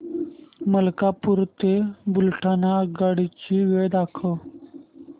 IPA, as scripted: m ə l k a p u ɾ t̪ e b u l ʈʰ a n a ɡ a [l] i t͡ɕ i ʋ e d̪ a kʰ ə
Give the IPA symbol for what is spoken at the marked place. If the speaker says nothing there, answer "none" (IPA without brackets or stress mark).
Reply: ɽ